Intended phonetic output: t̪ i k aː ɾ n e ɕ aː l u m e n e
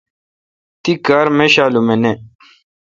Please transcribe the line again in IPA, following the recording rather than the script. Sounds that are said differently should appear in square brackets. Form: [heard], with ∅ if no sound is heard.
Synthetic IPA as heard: t̪ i k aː ɾ [m] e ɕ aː l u m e n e